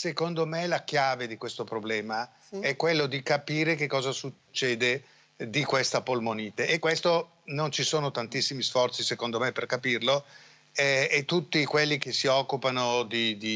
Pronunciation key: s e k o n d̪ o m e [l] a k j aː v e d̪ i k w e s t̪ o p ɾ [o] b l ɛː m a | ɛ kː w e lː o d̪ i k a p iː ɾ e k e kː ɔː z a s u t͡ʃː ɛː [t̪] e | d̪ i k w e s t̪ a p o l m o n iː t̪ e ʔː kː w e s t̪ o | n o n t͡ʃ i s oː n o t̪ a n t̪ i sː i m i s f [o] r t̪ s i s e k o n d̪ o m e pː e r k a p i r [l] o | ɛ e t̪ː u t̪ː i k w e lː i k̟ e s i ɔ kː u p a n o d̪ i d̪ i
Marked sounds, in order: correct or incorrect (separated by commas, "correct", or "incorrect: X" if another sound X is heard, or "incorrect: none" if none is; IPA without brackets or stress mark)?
correct, correct, incorrect: d̪, incorrect: ɔ, correct